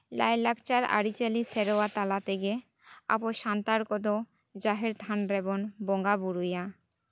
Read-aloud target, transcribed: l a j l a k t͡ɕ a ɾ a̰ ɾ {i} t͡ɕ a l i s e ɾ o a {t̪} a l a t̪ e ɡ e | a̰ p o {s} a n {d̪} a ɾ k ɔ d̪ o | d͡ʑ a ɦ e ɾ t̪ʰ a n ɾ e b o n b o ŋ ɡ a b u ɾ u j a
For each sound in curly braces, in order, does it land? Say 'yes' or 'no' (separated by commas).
yes, yes, no, no